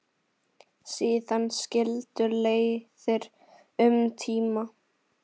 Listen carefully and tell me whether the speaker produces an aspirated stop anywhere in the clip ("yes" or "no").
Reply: yes